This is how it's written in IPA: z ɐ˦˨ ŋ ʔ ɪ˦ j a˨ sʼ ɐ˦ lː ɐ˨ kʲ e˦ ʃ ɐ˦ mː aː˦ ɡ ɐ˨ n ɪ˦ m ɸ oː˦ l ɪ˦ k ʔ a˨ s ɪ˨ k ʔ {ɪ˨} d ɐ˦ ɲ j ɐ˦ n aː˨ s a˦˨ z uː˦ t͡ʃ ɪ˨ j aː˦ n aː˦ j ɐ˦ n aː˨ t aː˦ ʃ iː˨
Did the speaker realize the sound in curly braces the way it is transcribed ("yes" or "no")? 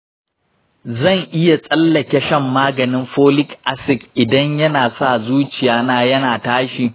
yes